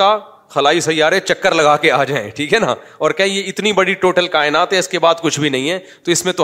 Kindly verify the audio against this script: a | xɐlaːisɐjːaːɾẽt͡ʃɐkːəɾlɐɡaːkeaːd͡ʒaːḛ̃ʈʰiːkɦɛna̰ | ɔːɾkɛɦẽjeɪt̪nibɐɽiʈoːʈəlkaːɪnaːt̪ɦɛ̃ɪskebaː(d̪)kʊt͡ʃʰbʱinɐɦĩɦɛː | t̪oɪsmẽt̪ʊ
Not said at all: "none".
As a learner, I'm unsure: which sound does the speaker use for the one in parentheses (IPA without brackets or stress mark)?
d̪